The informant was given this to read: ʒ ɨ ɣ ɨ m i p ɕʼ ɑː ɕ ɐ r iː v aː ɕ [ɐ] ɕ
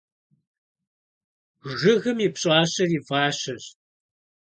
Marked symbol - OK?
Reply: yes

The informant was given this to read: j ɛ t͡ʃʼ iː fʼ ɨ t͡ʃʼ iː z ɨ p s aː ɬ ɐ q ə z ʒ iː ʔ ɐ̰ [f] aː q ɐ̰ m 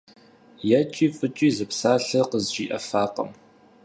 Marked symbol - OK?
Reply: yes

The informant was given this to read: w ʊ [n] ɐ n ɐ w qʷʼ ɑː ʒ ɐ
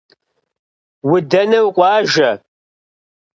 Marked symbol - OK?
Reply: no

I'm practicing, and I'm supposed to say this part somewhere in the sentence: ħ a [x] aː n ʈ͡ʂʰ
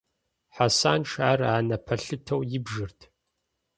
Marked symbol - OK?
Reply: no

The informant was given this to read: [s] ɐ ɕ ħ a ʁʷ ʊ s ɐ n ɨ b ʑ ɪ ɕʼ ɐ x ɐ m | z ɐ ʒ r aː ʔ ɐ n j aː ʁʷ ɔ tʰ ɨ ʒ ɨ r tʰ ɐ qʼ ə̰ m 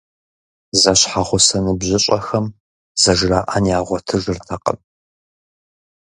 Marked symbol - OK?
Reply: no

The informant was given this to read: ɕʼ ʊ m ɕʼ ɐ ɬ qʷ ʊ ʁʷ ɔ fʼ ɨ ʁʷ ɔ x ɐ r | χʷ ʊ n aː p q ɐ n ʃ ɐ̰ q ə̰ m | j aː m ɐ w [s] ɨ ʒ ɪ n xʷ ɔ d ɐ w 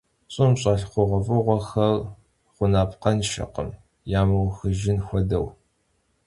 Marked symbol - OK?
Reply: no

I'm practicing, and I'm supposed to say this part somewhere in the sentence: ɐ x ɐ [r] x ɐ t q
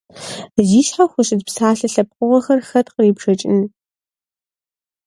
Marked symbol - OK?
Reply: yes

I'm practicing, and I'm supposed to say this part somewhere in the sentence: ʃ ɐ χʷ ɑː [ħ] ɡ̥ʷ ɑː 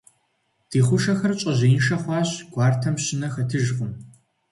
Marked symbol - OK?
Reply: no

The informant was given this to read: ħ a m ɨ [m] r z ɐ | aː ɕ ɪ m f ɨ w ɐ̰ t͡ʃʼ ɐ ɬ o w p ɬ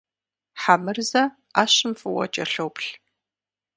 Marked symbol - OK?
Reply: no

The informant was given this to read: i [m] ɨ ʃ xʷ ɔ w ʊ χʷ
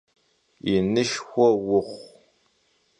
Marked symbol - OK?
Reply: no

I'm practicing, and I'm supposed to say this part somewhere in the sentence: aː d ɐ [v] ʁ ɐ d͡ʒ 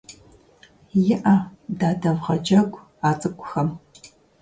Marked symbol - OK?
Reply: yes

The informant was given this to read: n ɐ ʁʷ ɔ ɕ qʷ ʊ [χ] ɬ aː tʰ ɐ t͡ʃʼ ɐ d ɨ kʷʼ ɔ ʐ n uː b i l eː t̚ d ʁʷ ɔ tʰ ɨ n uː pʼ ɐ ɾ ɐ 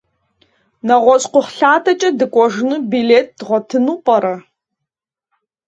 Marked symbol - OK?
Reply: yes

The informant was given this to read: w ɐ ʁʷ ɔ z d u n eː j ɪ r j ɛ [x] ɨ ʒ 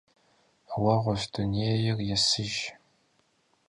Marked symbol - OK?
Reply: no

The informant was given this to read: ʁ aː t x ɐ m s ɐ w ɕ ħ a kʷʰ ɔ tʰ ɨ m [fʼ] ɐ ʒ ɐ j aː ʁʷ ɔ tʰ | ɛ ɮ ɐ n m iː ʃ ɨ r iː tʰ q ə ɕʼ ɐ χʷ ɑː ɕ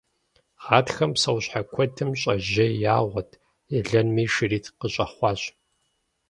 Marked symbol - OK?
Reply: no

